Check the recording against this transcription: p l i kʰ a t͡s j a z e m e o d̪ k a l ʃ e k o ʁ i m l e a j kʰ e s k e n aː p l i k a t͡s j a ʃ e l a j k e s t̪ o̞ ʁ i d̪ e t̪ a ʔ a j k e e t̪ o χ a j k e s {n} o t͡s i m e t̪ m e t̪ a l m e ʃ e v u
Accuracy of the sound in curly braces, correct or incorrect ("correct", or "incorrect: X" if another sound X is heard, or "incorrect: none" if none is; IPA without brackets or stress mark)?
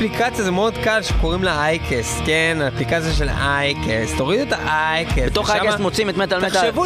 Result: incorrect: m